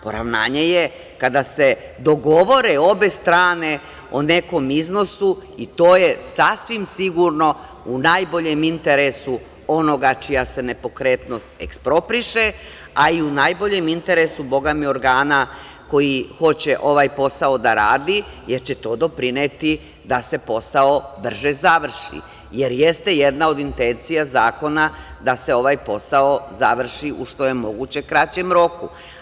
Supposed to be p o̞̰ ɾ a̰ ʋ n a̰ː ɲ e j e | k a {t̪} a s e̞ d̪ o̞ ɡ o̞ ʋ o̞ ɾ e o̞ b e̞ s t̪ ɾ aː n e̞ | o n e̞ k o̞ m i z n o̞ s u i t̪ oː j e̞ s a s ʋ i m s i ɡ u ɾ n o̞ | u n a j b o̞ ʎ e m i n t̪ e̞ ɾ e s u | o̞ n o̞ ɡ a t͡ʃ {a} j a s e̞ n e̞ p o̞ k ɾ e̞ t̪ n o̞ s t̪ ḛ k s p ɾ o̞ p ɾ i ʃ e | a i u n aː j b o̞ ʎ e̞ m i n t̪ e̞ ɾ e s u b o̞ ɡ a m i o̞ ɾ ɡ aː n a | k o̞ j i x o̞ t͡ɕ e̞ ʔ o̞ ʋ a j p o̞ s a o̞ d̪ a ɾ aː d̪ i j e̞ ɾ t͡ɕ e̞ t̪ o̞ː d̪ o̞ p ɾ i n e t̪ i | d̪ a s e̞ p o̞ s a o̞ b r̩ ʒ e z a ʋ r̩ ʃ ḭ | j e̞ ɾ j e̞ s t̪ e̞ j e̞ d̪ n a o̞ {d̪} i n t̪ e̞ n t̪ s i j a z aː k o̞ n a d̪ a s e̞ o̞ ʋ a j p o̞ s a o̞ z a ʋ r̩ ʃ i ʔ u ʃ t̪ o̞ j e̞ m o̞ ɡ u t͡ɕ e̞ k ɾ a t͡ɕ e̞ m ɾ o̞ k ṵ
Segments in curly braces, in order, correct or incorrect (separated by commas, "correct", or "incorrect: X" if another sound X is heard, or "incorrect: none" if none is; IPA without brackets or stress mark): incorrect: d̪, incorrect: i, correct